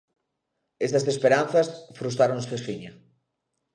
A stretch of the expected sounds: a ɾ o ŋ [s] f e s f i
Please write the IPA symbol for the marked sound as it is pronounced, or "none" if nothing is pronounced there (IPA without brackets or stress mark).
s